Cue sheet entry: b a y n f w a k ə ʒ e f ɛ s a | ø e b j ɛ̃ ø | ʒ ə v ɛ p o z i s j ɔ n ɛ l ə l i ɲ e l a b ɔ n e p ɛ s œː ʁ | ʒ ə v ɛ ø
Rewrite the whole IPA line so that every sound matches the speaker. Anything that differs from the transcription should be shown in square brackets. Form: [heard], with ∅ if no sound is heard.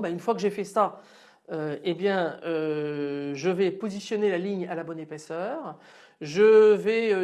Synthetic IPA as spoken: b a y n f w a k ə ʒ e f ɛ s a | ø e b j ɛ̃ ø | ʒ ə v ɛ p o z i s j ɔ n [e] l [a] l i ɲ [a] l a b ɔ n e p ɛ s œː ʁ | ʒ ə v ɛ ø